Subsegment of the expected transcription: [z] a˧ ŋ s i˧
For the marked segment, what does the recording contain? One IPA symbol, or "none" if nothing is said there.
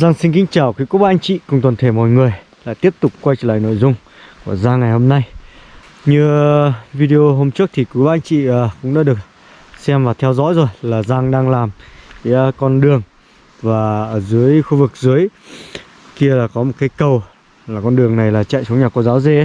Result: z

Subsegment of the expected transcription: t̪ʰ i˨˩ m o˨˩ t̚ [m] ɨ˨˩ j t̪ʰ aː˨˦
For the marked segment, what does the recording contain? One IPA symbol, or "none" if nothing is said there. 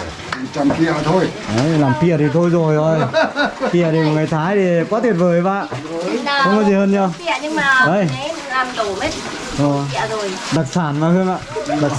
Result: ŋ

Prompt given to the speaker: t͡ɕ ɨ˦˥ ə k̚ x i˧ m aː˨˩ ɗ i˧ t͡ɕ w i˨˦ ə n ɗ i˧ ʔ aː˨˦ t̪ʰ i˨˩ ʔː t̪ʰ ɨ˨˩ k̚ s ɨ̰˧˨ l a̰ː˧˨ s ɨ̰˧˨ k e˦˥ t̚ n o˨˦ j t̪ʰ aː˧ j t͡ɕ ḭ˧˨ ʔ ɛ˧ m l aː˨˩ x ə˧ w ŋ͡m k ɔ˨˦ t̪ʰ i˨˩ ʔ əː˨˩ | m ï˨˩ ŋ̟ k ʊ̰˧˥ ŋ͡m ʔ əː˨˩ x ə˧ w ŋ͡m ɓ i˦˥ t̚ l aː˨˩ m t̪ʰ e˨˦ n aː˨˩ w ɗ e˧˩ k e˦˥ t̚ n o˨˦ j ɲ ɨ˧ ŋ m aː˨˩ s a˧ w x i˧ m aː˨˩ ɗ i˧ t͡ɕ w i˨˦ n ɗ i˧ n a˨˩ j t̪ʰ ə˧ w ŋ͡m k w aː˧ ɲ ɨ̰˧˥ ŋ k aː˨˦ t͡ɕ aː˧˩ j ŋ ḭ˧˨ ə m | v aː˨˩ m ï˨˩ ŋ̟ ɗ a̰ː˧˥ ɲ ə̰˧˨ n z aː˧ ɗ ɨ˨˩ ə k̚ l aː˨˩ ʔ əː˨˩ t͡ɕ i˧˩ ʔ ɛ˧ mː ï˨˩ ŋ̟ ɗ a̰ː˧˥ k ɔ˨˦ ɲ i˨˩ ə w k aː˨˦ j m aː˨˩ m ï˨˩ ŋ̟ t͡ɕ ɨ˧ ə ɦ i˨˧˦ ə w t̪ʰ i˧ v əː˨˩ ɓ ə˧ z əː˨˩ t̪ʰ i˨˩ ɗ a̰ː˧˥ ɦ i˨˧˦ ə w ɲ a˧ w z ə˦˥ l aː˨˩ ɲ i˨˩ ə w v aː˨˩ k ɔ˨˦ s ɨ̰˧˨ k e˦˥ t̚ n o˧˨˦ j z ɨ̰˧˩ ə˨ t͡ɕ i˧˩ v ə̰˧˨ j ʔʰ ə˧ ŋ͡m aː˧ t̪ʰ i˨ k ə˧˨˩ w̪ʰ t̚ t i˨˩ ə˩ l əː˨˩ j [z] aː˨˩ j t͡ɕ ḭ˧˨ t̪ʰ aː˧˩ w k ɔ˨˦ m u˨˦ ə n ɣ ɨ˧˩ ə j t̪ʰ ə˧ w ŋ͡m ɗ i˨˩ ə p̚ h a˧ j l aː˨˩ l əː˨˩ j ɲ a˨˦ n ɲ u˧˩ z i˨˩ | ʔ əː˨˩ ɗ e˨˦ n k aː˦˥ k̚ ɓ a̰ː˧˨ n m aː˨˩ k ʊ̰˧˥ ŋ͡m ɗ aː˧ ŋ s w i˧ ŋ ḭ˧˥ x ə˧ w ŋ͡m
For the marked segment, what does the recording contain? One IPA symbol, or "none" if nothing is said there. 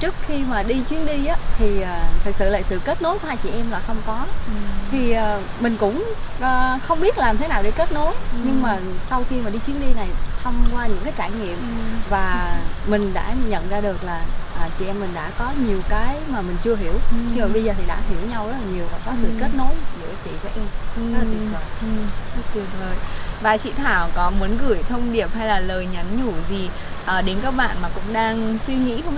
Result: v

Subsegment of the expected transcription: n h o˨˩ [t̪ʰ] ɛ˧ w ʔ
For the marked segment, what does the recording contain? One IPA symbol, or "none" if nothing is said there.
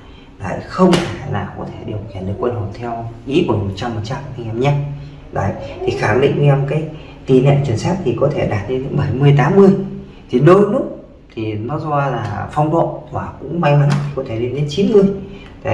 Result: t̪ʰ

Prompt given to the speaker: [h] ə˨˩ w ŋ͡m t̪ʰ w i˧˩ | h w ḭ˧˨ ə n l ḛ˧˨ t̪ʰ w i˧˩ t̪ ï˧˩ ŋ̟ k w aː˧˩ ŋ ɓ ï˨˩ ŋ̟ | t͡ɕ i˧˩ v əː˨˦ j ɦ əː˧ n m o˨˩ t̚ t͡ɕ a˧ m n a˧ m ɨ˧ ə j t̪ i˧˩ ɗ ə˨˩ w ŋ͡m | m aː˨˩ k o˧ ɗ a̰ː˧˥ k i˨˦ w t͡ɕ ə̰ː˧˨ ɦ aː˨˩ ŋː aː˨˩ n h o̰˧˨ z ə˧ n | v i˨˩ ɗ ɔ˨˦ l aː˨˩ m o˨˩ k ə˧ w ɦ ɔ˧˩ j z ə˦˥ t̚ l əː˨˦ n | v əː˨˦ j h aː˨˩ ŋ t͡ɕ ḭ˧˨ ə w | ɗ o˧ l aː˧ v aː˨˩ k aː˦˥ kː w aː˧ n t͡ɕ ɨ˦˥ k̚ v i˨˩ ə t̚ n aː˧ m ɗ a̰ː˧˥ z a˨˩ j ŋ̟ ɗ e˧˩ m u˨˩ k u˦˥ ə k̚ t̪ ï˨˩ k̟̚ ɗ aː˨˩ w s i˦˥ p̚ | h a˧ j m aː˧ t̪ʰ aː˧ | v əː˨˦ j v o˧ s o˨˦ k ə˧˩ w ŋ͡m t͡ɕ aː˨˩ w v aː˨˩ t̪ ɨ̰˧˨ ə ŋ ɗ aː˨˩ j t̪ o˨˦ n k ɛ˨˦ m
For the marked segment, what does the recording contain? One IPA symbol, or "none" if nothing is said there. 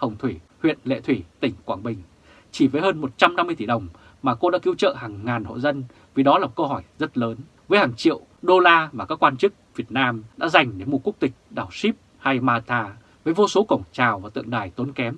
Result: h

